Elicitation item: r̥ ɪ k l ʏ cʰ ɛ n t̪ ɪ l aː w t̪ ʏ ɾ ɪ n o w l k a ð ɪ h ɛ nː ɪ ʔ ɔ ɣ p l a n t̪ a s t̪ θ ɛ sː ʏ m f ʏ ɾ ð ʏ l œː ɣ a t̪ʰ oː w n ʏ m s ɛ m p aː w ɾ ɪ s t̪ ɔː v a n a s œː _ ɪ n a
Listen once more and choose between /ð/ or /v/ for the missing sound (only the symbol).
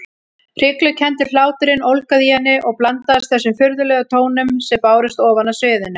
ð